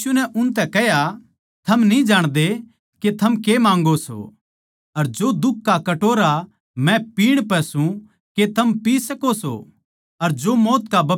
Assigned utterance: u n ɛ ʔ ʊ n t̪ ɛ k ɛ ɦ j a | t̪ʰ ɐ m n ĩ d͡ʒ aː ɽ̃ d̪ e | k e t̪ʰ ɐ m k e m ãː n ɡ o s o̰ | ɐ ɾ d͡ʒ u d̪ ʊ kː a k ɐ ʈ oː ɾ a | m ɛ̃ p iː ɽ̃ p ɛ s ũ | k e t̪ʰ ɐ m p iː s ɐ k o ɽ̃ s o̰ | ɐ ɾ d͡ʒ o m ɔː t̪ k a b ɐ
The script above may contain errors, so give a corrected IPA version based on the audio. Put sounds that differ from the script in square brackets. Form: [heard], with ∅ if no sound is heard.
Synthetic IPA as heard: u n ɛ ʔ ʊ n t̪ ɛ k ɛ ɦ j a | t̪ʰ ɐ m n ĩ d͡ʒ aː ɽ̃ d̪ e | k e t̪ʰ ɐ m k e m ãː [ŋ] ɡ o s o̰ | ɐ ɾ d͡ʒ [o] d̪ ʊ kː a k ɐ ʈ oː ɾ a | m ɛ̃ p iː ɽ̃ p ɛ s ũ | k e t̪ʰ ɐ m p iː s ɐ k o [∅] s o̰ | ɐ ɾ d͡ʒ o m ɔː t̪ k a b ɐ